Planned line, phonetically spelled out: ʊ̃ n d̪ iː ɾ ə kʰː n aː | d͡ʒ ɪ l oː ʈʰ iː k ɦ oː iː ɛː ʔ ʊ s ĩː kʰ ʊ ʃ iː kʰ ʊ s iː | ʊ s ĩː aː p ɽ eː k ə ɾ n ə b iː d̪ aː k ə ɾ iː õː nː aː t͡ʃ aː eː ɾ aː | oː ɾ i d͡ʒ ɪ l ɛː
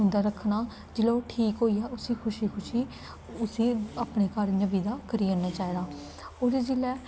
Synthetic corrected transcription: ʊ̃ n d̪ aː ɾ ə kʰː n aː | d͡ʒ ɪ l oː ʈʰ iː k ɦ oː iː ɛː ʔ ʊ s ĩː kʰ ʊ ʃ iː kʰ ʊ ʃ iː | ʊ s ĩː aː p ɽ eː k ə ɾ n ə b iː d̪ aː k ə ɾ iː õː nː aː t͡ʃ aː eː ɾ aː | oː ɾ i d͡ʒ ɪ l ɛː